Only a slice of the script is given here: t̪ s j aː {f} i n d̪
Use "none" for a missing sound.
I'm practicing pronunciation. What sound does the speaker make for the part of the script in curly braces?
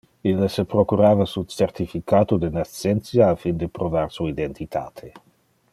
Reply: f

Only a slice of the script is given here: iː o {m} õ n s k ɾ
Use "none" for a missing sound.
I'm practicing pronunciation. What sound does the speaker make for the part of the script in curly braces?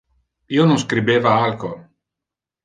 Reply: n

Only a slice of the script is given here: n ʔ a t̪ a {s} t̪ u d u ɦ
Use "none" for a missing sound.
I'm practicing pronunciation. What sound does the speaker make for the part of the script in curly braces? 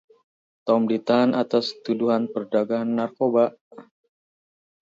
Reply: s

